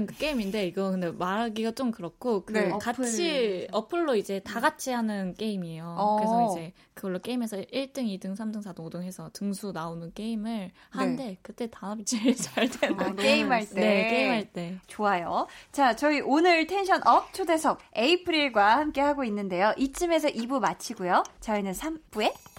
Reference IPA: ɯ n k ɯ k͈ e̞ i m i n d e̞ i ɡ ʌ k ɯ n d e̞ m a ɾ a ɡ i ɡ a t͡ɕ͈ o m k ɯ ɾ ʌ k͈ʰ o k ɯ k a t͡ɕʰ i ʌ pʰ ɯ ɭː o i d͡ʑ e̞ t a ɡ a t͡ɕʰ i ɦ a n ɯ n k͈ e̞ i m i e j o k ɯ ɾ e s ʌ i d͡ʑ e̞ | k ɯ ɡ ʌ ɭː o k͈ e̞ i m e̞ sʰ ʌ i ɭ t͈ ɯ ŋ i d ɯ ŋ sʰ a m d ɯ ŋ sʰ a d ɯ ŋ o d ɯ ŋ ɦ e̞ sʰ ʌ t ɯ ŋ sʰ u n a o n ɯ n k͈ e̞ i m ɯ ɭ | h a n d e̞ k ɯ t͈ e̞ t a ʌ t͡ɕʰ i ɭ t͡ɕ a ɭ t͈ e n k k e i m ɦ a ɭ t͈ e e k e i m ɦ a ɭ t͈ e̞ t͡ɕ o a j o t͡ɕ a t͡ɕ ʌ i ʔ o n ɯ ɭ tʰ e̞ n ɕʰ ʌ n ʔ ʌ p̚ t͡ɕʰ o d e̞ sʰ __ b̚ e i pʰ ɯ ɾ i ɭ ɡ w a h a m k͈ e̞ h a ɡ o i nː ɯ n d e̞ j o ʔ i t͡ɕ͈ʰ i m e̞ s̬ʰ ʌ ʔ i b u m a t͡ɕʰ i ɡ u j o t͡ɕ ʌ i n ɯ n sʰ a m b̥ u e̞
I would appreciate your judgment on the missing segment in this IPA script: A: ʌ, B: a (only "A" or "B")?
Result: A